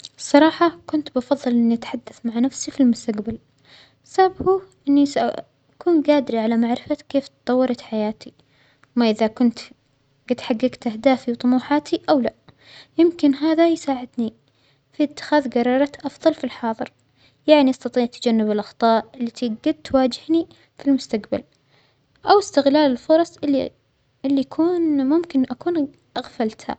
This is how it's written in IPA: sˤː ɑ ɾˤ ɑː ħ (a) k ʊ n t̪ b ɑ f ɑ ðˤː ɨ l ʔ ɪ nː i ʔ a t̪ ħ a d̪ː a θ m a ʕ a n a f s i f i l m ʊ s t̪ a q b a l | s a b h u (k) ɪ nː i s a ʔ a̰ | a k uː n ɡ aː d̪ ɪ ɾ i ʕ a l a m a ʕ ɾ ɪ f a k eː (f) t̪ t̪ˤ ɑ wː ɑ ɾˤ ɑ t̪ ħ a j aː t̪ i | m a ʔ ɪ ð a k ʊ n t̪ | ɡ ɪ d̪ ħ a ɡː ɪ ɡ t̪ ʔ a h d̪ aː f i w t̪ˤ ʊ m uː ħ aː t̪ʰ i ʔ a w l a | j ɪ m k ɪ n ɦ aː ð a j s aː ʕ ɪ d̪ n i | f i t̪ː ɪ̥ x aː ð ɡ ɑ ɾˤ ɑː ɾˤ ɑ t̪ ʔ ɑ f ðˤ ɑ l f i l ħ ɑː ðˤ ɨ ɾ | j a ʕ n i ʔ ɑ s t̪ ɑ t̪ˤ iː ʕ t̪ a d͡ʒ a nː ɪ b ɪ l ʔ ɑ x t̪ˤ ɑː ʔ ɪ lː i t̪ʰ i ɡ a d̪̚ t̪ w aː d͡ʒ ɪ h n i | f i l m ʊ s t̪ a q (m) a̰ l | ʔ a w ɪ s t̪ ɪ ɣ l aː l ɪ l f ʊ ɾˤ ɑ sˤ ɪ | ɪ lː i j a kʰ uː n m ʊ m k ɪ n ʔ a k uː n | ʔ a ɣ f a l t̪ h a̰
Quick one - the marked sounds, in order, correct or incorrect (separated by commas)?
incorrect, incorrect, correct, incorrect